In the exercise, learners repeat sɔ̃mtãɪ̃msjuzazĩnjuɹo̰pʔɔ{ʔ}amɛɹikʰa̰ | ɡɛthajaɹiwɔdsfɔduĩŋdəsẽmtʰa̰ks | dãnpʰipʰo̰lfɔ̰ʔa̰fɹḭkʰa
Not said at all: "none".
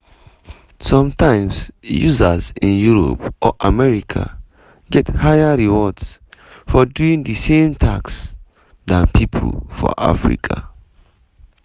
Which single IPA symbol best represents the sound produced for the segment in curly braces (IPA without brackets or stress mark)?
ʔ